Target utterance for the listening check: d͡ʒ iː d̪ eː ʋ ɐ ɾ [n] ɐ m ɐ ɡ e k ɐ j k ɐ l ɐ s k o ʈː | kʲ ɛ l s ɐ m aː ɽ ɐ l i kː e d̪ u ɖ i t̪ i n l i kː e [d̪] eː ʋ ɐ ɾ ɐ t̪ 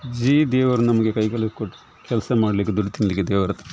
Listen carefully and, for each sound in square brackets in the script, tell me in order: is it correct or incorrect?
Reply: correct, correct

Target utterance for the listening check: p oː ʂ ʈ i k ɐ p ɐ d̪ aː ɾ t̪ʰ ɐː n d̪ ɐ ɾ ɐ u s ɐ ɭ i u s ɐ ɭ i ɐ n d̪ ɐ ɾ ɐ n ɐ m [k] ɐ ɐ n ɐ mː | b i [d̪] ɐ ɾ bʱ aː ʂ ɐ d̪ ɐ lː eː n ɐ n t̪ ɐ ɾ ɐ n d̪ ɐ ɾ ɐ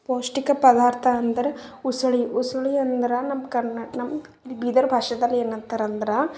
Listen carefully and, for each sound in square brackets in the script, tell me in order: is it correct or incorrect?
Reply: correct, correct

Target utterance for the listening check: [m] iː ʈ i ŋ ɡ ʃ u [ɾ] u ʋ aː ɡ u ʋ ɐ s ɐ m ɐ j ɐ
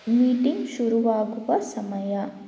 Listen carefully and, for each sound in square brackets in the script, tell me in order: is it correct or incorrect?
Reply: correct, correct

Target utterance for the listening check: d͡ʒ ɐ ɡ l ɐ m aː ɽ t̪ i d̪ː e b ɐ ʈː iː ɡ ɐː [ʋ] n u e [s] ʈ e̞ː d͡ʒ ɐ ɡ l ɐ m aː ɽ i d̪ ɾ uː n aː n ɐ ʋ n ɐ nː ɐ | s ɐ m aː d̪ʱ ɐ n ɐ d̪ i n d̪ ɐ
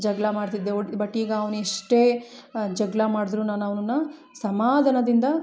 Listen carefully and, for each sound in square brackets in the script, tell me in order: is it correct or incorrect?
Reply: correct, incorrect

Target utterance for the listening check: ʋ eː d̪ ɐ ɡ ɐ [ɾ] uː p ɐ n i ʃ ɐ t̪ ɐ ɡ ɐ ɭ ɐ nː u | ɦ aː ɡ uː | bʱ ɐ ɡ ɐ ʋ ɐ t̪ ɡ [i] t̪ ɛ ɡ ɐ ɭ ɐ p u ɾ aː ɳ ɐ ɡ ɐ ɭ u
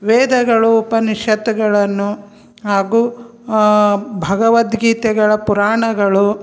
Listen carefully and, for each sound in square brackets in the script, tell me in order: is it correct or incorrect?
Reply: incorrect, incorrect

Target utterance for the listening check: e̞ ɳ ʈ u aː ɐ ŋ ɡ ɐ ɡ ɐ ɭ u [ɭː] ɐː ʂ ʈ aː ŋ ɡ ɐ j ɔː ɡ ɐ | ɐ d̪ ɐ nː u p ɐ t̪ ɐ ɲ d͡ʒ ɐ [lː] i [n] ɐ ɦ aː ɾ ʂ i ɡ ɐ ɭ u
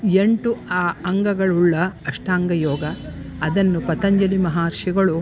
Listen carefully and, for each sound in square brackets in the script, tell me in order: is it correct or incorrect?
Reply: correct, incorrect, incorrect

